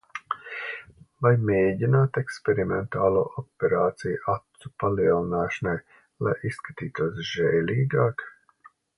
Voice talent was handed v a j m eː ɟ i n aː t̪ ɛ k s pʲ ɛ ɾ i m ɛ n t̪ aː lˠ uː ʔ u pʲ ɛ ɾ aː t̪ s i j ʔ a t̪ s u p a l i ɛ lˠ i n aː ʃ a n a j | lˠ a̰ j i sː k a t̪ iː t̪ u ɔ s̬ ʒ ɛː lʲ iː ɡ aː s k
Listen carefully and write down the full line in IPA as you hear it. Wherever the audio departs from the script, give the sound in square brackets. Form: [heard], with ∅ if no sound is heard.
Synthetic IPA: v a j m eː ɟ i n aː t̪ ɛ k s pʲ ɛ ɾ i m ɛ n t̪ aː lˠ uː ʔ [ɔ] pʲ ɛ ɾ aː t̪ s i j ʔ a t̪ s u p a l i ɛ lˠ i n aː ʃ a n a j | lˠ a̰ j i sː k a t̪ iː t̪ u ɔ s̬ ʒ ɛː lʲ iː ɡ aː [∅] k